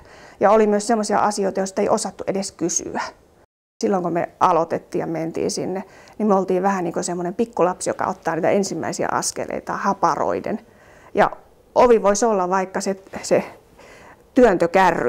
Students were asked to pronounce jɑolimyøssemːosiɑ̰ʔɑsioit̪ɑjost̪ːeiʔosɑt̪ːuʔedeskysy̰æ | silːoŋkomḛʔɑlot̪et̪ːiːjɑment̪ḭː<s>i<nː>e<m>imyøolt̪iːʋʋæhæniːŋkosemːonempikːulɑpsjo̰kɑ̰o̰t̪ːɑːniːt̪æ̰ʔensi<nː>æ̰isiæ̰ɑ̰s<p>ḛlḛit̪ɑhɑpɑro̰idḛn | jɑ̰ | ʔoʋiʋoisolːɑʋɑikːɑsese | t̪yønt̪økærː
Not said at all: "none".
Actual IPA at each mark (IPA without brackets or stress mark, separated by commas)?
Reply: s, nː, n, mː, k